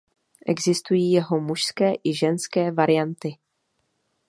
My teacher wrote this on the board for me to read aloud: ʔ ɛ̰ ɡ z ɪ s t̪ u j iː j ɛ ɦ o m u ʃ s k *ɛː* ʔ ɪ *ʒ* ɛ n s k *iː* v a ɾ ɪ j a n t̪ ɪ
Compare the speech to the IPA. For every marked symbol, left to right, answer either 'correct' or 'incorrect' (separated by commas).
correct, correct, incorrect